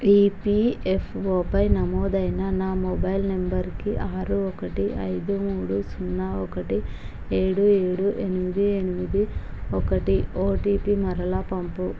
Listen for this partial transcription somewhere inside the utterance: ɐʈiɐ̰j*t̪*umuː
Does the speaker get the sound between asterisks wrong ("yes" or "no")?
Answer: yes